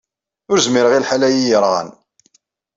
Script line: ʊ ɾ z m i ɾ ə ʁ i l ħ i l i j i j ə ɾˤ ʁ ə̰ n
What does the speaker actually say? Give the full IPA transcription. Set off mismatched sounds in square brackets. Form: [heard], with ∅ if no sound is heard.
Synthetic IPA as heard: ʊ ɾ z m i ɾ ə ʁ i l ħ [a] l [æ] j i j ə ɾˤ ʁ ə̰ n

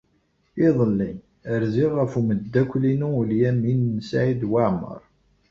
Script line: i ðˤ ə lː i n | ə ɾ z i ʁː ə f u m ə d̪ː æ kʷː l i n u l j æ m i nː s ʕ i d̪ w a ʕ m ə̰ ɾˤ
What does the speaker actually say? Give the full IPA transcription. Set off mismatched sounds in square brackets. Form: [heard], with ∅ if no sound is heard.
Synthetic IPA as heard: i ðˤ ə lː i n | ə ɾ z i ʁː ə f u m ə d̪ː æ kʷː l i n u l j æ m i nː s ʕ i d̪ w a ʕ m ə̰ ɾˤ

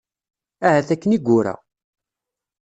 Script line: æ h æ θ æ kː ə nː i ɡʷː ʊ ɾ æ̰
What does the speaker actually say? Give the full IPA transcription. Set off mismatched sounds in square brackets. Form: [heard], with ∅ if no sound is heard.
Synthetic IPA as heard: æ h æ θ æ kː ə [n] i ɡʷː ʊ ɾ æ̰

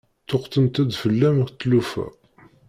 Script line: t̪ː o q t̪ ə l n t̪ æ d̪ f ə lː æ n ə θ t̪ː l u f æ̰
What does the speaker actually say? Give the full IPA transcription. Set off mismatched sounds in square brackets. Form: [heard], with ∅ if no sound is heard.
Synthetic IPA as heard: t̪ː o q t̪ ə [∅] n t̪ æ d̪ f ə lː æ [m] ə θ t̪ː l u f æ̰

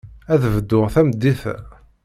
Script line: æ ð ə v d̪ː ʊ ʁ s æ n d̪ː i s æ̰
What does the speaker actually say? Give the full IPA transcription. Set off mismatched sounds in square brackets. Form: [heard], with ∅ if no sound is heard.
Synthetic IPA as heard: æ ð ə v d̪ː ʊ ʁ [θ] æ [m] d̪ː i [θ] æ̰

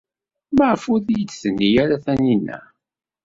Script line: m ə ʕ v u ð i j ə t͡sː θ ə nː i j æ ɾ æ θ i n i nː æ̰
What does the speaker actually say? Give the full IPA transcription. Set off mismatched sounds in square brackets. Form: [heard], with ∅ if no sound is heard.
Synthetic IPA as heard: m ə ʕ [f] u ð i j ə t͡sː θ ə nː i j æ ɾ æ θ [æ] n i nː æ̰

